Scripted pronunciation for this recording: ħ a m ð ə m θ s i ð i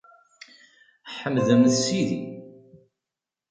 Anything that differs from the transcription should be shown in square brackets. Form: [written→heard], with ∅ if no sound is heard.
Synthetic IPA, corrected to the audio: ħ [a→ə] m ð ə m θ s i ð i